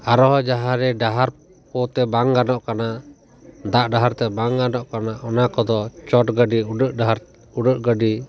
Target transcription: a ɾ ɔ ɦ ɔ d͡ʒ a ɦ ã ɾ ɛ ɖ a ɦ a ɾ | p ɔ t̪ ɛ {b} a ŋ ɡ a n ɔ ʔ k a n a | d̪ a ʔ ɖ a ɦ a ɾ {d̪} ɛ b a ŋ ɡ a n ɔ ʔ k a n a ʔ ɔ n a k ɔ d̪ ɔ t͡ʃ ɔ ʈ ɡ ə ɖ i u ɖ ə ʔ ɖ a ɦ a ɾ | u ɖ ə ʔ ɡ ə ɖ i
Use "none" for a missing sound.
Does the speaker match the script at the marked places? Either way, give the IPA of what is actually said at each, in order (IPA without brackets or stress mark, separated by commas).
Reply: b, t̪